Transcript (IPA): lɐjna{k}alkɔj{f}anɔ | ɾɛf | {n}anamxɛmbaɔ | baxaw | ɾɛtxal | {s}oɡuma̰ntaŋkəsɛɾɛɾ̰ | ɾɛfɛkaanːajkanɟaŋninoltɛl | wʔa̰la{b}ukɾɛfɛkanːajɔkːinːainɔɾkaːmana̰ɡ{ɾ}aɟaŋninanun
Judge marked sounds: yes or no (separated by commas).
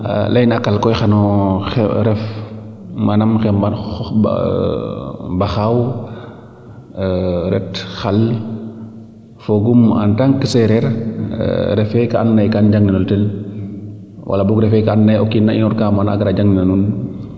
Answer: yes, no, no, no, yes, yes